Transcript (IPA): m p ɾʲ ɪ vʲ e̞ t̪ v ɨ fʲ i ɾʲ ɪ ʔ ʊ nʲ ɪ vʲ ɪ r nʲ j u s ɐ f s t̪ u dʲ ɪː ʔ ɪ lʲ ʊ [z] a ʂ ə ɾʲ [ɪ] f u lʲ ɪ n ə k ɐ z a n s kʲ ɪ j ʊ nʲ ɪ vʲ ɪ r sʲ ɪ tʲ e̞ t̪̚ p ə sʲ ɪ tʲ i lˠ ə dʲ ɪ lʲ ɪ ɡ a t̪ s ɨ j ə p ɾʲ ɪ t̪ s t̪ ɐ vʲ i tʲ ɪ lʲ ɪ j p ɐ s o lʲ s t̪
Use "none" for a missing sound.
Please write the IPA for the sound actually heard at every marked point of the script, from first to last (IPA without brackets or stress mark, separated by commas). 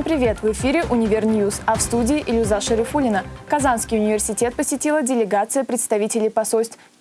z, ɪ